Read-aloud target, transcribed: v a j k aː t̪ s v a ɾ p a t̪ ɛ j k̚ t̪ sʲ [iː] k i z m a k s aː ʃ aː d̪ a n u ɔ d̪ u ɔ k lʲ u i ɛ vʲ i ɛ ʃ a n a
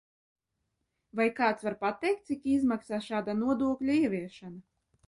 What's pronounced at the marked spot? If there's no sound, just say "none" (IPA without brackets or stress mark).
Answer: i